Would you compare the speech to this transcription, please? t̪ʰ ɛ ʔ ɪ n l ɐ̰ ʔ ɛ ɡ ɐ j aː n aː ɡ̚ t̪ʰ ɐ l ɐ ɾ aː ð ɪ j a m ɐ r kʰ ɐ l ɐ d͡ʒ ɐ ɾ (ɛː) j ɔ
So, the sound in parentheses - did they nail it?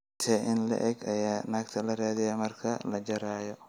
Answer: no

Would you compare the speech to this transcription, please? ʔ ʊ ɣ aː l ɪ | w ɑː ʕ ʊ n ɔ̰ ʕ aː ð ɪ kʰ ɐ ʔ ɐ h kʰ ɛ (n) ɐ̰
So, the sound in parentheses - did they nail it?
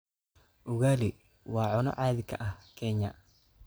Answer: no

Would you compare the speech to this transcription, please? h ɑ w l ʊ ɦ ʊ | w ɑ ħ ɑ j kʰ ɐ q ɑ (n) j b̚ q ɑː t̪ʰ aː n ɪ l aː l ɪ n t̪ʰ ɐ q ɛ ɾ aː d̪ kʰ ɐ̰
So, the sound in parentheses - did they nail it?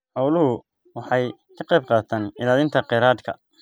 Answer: no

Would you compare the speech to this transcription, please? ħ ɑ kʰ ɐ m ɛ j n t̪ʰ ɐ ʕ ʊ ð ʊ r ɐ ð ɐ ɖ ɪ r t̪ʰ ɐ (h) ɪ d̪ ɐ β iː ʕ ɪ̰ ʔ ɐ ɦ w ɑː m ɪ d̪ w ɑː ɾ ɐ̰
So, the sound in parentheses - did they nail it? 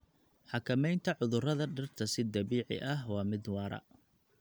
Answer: no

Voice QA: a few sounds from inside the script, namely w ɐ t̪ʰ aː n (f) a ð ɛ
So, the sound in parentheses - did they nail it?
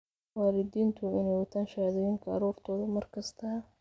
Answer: no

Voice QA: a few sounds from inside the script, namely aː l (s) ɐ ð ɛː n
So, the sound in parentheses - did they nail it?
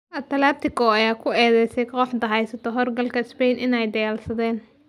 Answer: yes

